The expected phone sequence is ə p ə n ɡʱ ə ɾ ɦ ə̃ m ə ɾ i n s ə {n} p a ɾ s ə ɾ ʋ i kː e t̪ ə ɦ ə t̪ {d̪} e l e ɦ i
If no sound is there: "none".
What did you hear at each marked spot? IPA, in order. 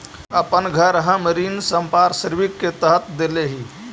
m, d̪

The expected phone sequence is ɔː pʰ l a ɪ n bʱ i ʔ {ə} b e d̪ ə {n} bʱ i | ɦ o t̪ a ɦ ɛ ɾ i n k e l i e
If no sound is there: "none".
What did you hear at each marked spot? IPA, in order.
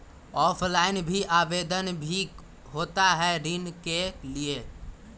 a, n

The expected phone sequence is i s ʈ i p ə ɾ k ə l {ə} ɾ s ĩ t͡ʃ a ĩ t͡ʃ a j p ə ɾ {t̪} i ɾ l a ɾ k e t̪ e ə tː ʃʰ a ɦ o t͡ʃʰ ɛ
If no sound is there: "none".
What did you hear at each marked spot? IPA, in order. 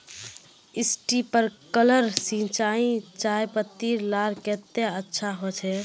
ə, t̪

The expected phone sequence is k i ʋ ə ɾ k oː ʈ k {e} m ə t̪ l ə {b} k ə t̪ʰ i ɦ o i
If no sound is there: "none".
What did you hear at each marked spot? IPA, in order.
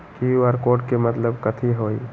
e, b

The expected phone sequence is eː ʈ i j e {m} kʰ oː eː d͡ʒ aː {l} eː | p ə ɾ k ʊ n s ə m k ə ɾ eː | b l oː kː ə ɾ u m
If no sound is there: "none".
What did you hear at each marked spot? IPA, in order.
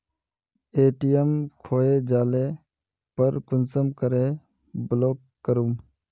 m, l

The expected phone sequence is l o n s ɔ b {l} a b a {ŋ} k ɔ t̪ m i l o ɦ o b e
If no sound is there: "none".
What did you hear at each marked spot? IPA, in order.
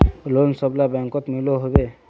l, ŋ

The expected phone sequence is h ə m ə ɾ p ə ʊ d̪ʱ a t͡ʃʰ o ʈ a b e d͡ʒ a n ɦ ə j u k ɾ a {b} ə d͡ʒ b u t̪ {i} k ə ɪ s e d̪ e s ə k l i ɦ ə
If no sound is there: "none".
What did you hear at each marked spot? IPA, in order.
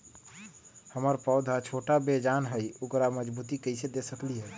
m, i

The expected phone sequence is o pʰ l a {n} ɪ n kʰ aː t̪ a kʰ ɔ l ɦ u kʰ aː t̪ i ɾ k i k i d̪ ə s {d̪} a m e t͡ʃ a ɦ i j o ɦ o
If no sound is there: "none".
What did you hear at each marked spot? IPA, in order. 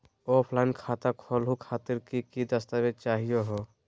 none, t̪

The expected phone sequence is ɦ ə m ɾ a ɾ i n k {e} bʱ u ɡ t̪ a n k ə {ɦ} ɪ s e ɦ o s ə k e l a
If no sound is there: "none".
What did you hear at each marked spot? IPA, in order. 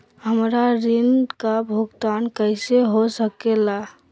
a, none

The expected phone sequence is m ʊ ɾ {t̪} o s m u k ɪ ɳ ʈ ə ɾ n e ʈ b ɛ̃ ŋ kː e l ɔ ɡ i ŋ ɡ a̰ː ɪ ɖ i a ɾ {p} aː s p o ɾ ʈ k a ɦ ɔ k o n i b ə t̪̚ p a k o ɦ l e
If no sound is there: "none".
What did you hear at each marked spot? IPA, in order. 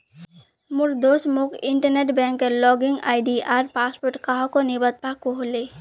d̪, p

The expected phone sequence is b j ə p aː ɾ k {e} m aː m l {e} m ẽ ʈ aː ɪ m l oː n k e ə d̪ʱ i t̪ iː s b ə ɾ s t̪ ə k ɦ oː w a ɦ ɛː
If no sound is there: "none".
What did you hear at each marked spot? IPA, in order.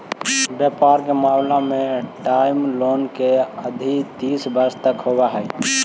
e, a

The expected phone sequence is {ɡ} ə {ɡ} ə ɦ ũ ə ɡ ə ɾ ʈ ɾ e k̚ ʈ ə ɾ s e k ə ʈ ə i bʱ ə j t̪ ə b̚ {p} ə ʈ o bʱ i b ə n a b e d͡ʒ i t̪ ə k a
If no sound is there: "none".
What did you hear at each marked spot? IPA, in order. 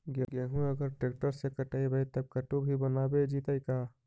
ɡ, ɡ, k

